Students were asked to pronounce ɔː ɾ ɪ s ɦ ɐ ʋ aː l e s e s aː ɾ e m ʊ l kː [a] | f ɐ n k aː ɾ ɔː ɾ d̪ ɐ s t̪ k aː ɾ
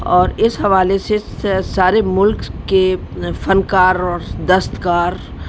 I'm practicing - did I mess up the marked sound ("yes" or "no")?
yes